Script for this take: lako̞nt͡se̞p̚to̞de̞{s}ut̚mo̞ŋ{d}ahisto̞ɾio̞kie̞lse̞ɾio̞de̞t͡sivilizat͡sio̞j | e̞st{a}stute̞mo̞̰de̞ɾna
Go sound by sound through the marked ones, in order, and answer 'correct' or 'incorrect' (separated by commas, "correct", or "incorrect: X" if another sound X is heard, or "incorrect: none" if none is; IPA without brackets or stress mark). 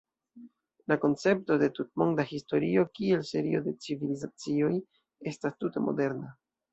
incorrect: t, correct, correct